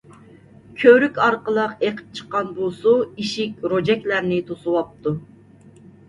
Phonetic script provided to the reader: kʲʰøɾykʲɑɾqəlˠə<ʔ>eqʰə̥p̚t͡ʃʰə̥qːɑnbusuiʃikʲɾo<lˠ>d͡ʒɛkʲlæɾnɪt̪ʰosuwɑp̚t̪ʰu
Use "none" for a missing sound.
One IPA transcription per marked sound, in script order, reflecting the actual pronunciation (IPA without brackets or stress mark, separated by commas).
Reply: q, none